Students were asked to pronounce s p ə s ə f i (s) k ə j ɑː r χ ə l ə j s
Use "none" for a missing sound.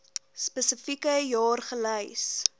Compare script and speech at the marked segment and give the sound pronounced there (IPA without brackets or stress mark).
none